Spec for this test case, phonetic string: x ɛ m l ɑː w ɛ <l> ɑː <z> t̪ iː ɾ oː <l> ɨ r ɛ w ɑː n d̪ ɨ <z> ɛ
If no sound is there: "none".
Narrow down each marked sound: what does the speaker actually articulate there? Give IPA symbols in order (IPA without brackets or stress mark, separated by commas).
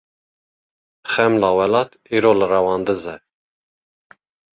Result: l, none, l, z